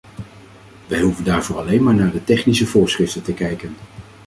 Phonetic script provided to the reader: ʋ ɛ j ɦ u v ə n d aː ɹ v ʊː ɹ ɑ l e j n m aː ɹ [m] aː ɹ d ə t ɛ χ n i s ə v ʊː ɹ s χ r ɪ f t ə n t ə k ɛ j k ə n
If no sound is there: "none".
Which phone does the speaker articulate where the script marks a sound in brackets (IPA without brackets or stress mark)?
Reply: n